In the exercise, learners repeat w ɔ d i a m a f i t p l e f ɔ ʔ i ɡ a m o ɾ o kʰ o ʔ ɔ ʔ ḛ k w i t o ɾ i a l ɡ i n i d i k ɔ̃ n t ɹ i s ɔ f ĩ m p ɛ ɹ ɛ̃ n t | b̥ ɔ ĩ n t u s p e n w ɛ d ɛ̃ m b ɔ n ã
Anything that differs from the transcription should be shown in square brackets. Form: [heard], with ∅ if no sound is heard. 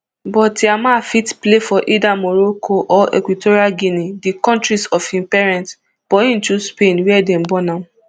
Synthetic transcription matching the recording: [b] ɔ [t] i a m a f i t p l e f ɔ ʔ i [d] a m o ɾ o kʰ o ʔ ɔ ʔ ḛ k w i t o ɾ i a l ɡ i n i d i k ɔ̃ n t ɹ i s ɔ f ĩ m p ɛ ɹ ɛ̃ n t | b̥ ɔ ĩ n t u s p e n w ɛ d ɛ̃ m b ɔ n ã